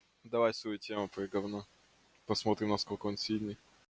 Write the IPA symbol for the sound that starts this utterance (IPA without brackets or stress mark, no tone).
d̪